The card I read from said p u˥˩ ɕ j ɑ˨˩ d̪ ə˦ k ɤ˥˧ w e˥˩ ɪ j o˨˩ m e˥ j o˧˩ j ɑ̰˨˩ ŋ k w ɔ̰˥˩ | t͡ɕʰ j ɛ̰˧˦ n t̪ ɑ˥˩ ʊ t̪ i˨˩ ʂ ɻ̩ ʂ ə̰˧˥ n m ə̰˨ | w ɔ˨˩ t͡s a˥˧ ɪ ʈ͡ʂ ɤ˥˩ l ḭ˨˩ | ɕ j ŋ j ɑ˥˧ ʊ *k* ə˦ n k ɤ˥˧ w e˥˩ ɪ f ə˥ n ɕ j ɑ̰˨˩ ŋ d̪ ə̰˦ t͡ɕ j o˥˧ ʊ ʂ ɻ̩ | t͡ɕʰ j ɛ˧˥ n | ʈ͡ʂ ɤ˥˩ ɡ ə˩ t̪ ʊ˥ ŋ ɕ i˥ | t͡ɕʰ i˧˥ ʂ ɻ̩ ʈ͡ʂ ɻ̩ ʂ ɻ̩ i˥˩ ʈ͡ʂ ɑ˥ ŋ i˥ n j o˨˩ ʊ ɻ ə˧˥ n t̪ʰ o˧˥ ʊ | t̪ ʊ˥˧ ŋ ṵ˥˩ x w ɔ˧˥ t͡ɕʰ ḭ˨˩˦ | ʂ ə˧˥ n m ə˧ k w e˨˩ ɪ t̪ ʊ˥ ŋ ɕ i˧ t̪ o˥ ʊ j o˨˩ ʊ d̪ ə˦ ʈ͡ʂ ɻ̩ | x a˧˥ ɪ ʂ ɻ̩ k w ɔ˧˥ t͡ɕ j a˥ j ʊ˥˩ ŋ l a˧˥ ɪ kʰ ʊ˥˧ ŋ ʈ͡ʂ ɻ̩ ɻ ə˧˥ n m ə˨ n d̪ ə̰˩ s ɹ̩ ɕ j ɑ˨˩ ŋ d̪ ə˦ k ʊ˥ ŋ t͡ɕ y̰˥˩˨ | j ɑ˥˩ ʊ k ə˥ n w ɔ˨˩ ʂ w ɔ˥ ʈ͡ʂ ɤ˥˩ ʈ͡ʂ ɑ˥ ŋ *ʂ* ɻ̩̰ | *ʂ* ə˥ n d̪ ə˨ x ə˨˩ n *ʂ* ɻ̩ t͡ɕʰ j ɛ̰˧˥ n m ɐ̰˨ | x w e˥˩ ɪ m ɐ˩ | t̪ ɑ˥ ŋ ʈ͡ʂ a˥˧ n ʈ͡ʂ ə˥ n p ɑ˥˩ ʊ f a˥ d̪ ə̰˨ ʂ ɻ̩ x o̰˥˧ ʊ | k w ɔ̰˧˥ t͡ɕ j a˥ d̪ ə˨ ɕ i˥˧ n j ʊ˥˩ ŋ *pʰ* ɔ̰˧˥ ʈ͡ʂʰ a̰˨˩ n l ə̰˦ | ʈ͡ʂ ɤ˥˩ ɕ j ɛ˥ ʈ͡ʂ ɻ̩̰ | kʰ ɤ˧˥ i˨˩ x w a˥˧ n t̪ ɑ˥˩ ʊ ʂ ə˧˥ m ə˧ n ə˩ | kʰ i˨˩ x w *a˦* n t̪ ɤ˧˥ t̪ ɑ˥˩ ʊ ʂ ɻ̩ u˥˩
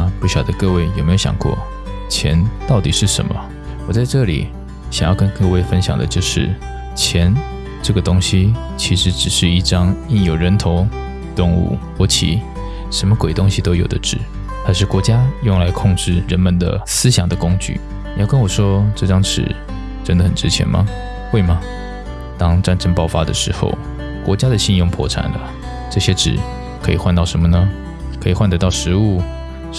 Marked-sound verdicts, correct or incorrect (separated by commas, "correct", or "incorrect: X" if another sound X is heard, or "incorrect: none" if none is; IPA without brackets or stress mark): correct, incorrect: ʈ͡ʂ, incorrect: ʈ͡ʂ, incorrect: ʈ͡ʂ, correct, incorrect: a˥˩